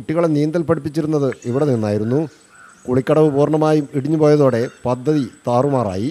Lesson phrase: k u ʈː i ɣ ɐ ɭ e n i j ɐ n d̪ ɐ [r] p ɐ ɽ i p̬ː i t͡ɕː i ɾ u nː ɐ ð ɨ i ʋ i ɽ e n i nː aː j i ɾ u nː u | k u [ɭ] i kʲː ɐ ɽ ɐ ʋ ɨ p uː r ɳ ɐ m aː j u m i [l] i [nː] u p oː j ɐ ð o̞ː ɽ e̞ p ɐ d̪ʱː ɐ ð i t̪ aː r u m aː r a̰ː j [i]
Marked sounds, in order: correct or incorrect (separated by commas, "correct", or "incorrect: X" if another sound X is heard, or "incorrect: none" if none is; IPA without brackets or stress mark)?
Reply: incorrect: l, correct, incorrect: ɽ, incorrect: ɲː, correct